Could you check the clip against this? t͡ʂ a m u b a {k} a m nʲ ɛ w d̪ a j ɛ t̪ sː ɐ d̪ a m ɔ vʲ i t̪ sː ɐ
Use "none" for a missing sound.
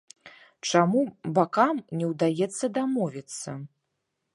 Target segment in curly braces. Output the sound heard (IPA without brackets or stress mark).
k